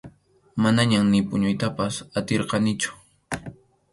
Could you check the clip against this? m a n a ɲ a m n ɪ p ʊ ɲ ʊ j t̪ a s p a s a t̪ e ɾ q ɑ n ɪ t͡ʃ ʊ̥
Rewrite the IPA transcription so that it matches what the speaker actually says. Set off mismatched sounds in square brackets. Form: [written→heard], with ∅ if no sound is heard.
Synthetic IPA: m a n a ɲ a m n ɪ p ʊ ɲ ʊ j t̪ a [s→∅] p a s a t̪ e ɾ q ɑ n ɪ t͡ʃ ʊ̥